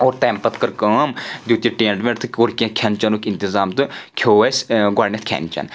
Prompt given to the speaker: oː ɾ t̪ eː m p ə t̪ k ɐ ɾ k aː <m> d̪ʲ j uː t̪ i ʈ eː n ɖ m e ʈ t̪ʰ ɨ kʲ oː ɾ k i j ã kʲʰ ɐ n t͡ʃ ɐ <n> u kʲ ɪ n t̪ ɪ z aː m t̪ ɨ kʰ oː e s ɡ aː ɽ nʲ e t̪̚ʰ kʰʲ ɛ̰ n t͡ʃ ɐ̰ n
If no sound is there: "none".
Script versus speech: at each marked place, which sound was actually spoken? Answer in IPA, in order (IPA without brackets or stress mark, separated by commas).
m, n